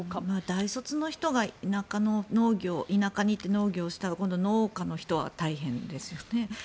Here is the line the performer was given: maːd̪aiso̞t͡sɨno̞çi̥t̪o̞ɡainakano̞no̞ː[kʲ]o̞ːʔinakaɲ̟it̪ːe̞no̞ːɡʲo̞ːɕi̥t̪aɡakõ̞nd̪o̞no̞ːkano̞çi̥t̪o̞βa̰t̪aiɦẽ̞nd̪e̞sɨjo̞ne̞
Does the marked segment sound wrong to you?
yes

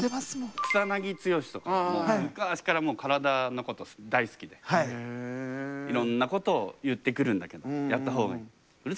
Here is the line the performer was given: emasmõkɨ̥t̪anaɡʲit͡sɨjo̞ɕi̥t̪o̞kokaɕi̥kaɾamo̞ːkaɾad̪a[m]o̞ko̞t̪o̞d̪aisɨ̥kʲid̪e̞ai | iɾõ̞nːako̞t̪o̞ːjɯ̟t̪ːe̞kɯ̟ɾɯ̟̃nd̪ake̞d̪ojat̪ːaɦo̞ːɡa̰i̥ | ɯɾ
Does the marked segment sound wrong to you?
yes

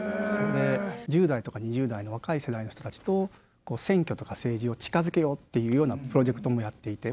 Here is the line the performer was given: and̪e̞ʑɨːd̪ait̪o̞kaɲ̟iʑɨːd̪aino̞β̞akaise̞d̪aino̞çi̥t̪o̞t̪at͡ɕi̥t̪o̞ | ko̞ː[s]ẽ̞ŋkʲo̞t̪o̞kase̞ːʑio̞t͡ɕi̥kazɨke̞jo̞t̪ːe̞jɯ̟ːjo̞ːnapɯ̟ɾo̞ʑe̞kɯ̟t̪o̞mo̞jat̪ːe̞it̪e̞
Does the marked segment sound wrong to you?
no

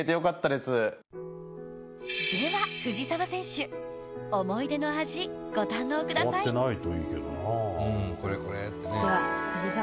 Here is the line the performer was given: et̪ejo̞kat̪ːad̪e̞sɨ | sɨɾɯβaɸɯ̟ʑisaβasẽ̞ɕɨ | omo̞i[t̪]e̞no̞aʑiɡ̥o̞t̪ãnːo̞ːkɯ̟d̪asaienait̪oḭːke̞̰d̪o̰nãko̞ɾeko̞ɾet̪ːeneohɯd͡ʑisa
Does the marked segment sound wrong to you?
yes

